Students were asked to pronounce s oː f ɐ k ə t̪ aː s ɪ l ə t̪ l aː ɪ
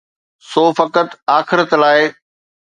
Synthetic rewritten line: s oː f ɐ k ə t̪ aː x ɪ ɾ ə t̪ l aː ɪ